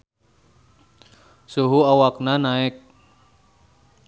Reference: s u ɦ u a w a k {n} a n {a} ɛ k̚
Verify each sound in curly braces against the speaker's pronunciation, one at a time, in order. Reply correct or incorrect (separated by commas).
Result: correct, correct